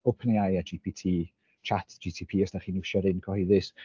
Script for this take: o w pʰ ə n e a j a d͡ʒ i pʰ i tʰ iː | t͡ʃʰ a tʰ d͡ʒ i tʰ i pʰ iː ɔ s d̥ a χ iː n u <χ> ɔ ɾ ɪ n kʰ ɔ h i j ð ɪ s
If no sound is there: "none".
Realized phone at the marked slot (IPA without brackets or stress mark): ʃ